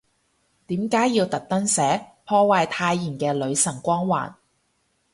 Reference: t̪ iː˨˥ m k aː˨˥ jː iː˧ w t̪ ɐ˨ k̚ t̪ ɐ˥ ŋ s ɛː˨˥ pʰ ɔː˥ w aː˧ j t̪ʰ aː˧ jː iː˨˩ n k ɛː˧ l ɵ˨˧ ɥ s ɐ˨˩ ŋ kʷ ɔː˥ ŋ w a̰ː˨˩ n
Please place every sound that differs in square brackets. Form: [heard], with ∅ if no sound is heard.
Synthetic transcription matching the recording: t̪ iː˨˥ m k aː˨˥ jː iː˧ w t̪ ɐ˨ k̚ t̪ ɐ˥ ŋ s ɛː˨˥ pʰ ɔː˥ w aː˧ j t̪ʰ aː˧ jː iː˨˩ n k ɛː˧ l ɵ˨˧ ɥ s ɐ˨˩ ŋ kʷ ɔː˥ ŋ w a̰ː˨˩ n